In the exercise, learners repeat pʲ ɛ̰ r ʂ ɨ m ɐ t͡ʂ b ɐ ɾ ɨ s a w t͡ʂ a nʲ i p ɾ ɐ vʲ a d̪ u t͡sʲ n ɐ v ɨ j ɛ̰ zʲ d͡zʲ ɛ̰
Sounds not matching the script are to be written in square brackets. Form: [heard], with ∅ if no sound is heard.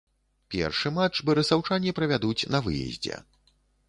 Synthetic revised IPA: pʲ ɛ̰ r ʂ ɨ m [a] t͡ʂ b ɐ ɾ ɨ s a w t͡ʂ a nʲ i p ɾ ɐ vʲ a d̪ u t͡sʲ n ɐ v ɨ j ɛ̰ zʲ d͡zʲ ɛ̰